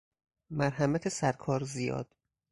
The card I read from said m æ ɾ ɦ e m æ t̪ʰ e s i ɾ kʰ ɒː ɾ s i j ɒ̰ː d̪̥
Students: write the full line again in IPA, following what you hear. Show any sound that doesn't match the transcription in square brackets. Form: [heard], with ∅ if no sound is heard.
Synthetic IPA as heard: m æ ɾ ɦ [æ] m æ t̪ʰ e s [æ] ɾ kʰ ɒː ɾ [z] i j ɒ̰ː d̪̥

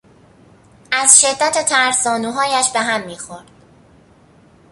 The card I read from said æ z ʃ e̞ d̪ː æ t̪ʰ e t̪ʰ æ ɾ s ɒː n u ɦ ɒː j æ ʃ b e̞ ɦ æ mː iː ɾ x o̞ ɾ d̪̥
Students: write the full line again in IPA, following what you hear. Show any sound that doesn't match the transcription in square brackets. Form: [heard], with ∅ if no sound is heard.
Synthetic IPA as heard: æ z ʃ e̞ d̪ː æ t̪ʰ e t̪ʰ æ ɾ s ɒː n u ɦ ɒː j æ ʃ b e̞ ɦ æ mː iː [∅] x o̞ ɾ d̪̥

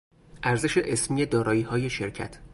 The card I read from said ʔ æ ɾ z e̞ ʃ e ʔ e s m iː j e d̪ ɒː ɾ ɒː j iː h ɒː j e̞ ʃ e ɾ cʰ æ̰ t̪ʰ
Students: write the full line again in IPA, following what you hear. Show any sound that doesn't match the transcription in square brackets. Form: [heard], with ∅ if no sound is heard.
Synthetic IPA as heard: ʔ æ ɾ z e̞ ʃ e ʔ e s m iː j e d̪ ɒː ɾ ɒː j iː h ɒː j e̞ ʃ e ɾ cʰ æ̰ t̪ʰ

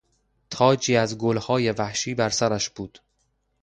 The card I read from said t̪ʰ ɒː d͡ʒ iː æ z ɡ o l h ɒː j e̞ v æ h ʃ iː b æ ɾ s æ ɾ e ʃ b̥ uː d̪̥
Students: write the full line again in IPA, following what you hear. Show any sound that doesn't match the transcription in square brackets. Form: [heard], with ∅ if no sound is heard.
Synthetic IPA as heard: t̪ʰ ɒː d͡ʒ iː æ z ɡ o l h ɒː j e̞ v æ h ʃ iː b æ ɾ s æ ɾ [æ] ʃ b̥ uː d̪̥

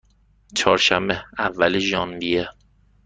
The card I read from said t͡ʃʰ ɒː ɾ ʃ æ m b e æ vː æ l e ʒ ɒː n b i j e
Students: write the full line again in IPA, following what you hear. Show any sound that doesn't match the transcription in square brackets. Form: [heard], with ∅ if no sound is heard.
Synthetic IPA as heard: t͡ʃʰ ɒː ɾ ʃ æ m b e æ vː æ l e ʒ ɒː n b i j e

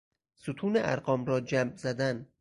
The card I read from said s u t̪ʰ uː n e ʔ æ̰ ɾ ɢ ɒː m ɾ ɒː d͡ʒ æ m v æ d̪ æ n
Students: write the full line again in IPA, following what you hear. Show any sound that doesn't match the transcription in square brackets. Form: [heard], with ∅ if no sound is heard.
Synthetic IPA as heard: s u t̪ʰ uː n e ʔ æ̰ ɾ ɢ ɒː m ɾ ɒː d͡ʒ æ m [z] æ d̪ æ n

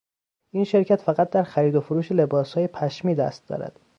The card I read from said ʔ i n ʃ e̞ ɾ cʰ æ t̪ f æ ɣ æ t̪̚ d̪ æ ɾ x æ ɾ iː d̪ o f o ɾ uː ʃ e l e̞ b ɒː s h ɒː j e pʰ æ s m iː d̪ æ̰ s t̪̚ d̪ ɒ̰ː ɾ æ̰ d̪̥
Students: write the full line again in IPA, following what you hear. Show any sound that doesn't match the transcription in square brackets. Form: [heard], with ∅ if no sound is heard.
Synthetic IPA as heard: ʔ i n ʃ e̞ ɾ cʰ æ t̪ f æ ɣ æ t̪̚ d̪ æ ɾ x æ ɾ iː d̪ o f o ɾ uː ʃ e l e̞ b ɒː s h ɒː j e pʰ æ [ʃ] m iː d̪ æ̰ s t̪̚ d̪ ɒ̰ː ɾ æ̰ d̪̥

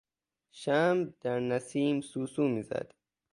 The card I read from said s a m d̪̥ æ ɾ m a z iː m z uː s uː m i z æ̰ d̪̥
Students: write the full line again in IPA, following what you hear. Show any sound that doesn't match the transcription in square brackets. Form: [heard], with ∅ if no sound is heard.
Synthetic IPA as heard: [ʃ] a m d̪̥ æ ɾ [n] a [s] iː m [s] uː s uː m i z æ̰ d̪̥

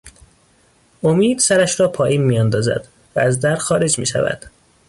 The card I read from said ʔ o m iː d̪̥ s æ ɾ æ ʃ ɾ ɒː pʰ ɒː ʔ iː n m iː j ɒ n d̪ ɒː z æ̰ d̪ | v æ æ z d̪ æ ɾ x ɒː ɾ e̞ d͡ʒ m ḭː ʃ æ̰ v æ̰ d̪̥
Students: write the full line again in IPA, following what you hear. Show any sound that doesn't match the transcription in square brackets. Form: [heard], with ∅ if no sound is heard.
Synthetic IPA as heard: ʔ o m iː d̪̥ s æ ɾ æ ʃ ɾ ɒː pʰ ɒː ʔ iː n m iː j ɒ n d̪ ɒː z æ̰ d̪ | v æ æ z d̪ æ ɾ x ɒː ɾ e̞ d͡ʒ m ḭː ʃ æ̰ v æ̰ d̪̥

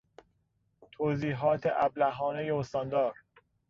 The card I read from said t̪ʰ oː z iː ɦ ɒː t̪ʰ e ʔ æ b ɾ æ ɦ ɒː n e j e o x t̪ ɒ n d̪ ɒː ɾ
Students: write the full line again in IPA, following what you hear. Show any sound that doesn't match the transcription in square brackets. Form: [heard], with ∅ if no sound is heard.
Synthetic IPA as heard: t̪ʰ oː z iː ɦ ɒː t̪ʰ e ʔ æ b [l] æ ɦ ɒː n e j e o [s] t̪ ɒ n d̪ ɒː ɾ

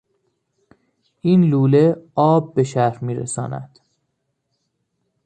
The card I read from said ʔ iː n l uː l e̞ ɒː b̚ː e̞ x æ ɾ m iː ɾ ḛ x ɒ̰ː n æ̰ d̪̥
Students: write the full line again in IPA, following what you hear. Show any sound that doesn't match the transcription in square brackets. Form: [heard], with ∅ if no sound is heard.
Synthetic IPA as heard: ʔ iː n l uː l e̞ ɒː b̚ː e̞ [ʃ] æ ɾ m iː ɾ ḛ [s] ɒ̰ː n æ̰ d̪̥

